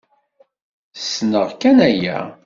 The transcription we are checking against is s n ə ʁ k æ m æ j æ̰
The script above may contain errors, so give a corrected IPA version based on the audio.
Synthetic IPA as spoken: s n ə ʁ k æ n æ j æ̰